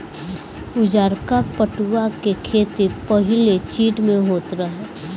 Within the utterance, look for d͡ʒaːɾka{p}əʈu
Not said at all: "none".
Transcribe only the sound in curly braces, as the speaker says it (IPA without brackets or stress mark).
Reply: p